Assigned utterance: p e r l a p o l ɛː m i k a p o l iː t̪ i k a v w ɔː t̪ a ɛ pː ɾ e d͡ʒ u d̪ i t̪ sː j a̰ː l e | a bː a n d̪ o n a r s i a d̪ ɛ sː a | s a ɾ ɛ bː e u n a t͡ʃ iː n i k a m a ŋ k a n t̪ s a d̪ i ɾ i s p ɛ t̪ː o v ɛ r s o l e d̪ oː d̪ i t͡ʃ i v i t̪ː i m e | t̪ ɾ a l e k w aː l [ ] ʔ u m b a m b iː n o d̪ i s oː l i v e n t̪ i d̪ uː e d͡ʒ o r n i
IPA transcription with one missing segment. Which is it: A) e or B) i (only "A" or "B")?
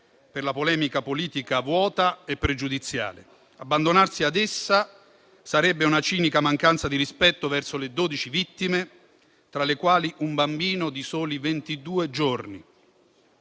B